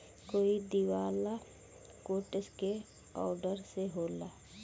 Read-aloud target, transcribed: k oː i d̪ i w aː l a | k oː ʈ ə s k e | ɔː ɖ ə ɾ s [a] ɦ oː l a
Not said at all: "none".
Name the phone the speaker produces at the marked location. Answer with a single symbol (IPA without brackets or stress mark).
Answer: e